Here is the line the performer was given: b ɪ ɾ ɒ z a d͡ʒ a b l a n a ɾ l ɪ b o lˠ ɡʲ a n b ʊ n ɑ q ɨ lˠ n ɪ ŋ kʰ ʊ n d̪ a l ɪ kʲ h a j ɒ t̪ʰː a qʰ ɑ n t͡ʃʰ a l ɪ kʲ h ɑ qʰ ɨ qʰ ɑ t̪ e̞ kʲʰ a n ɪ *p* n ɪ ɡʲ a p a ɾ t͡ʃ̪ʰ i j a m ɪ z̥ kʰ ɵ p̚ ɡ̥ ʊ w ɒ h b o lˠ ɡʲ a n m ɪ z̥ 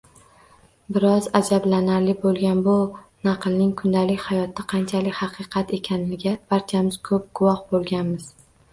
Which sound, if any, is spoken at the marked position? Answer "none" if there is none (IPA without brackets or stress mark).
none